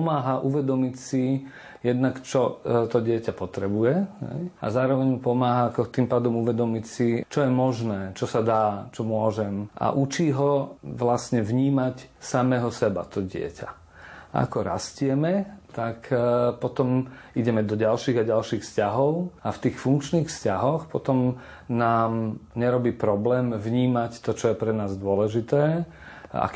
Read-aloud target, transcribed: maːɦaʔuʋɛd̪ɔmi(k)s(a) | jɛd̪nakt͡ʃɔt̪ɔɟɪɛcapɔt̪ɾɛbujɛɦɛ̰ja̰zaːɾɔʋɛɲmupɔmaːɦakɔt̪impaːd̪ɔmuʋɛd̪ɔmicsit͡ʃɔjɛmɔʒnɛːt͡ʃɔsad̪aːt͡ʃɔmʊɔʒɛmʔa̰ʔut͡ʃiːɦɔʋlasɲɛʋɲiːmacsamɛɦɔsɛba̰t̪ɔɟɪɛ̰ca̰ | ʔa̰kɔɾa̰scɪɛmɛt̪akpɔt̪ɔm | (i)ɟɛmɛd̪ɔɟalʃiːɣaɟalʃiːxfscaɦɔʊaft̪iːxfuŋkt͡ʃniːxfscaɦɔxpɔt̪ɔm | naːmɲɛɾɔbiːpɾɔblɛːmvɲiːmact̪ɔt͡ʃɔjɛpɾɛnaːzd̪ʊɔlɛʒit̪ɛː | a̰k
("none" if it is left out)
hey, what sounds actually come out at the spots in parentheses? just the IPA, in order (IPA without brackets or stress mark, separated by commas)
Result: c, i, i